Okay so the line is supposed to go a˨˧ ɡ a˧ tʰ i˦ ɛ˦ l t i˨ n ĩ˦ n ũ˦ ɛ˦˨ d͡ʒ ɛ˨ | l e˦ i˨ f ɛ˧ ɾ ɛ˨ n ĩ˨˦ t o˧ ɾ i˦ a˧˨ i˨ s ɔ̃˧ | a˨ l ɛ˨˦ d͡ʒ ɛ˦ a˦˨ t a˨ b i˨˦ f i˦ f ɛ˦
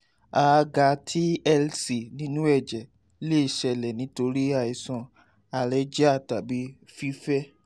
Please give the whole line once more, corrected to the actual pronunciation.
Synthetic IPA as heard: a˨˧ ɡ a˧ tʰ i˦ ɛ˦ l s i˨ n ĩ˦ n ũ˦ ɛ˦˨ d͡ʒ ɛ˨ | l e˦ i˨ ʃ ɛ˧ l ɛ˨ n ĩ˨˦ t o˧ ɾ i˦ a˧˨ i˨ s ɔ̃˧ | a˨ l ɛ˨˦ d͡ʒ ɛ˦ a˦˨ t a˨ b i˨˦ f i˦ f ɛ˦